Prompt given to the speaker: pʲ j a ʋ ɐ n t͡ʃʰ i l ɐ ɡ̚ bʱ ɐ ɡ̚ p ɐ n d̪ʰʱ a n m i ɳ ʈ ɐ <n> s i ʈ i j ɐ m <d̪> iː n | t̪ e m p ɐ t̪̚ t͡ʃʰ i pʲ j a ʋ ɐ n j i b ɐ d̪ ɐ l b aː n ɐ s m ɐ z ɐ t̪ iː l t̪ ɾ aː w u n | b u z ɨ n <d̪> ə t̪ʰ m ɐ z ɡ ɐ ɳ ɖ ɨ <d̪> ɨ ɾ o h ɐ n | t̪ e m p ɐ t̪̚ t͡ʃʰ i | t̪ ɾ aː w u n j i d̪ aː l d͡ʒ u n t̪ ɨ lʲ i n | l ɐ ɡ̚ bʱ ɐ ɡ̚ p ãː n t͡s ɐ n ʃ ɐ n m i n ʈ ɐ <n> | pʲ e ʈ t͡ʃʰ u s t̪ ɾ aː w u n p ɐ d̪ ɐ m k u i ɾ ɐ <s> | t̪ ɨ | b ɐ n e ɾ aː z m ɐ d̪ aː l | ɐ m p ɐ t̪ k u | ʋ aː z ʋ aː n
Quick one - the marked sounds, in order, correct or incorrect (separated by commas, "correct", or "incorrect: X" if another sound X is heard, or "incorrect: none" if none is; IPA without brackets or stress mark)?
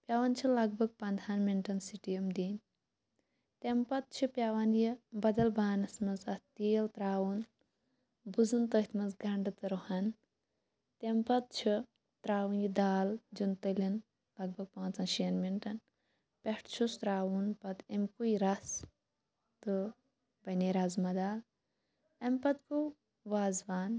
correct, correct, incorrect: t̪, incorrect: t̪, correct, correct